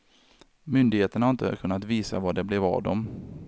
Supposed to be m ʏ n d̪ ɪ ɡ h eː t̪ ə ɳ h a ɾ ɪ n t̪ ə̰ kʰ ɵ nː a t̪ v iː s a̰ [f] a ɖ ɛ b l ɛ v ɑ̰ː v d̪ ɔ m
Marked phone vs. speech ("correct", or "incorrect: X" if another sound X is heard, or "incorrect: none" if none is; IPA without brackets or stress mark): incorrect: v